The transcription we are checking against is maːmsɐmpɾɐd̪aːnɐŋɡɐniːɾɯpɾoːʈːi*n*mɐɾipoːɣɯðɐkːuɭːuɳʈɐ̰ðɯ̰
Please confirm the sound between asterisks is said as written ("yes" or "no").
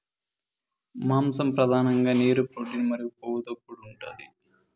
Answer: yes